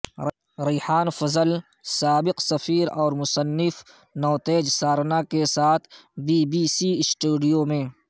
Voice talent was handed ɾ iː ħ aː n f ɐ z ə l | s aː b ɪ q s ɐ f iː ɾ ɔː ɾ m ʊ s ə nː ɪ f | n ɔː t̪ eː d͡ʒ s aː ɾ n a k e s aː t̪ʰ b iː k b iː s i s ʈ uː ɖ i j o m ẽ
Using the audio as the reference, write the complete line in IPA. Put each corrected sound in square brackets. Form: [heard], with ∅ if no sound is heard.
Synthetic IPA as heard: ɾ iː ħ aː n f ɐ z ə l | s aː b ɪ q s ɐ f iː ɾ ɔː ɾ m ʊ s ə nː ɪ f | n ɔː t̪ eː d͡ʒ s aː ɾ n a k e s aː t̪ʰ b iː [∅] b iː s i s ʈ uː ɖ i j o m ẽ